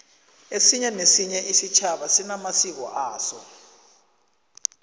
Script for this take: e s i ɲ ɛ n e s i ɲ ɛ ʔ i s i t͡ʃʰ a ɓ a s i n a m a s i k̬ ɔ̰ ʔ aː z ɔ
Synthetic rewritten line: e s i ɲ ɛ n e s i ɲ ɛ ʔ i s i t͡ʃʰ a ɓ a s i n a m a s i k̬ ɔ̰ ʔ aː s ɔ